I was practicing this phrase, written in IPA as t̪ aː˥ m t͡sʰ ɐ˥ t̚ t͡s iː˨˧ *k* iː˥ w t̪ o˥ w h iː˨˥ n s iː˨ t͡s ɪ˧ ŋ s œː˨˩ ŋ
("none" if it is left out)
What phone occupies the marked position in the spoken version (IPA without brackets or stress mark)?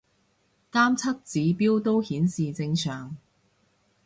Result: p